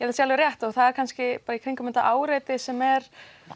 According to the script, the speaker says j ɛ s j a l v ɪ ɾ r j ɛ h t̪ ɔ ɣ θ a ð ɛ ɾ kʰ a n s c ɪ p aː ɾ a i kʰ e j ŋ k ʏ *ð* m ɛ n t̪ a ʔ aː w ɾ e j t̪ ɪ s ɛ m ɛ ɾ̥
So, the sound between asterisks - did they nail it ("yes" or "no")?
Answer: no